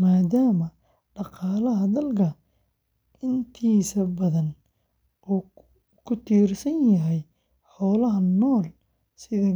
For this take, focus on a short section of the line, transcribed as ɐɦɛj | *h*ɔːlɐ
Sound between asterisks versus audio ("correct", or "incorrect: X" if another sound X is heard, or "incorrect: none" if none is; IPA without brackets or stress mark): incorrect: ħ